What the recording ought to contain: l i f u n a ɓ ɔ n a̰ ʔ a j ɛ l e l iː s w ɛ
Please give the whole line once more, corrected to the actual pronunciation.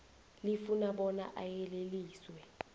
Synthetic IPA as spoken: l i f u n a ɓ ɔ n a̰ ʔ a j ɛ l e l iː s w ɛ